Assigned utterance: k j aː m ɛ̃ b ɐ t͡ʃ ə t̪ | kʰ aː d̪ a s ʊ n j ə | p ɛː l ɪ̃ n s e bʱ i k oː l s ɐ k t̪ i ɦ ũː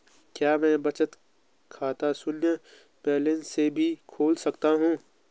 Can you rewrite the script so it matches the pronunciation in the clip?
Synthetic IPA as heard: k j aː m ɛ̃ b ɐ t͡ʃ ə t̪ | kʰ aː t̪ a s ʊ n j ə | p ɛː l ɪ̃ n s e bʱ i kʰ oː l s ɐ k t̪ a ɦ ũː